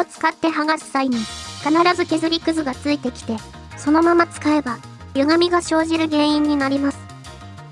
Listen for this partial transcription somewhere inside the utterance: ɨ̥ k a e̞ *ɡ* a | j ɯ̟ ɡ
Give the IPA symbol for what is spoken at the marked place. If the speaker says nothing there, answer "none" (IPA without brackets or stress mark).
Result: b